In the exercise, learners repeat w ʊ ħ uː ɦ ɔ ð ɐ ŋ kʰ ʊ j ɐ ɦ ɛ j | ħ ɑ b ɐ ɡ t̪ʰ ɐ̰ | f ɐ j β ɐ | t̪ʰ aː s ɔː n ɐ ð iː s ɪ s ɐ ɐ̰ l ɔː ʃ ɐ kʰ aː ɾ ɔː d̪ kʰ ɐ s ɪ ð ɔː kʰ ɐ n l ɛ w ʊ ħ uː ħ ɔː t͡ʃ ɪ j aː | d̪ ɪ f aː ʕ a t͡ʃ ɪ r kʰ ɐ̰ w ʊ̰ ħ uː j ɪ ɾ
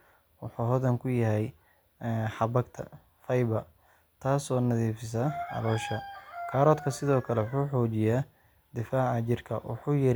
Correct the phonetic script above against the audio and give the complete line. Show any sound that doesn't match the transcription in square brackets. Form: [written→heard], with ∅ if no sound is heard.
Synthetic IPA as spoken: w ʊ ħ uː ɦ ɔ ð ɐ ŋ kʰ ʊ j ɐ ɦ ɛ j | ħ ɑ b ɐ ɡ t̪ʰ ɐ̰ | f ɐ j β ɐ | t̪ʰ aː s ɔː n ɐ ð iː [s→f] ɪ s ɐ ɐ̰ l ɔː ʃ ɐ kʰ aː ɾ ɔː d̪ kʰ ɐ s ɪ ð ɔː kʰ ɐ [n→∅] l ɛ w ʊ ħ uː ħ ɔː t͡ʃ ɪ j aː | d̪ ɪ f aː ʕ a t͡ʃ ɪ r kʰ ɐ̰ w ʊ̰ ħ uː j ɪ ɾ